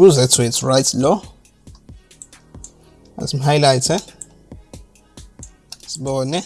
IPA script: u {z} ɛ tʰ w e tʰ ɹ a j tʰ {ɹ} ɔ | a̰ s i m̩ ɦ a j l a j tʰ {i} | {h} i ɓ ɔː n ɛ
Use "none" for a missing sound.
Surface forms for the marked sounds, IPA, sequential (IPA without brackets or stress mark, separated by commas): z, l, ɛ, s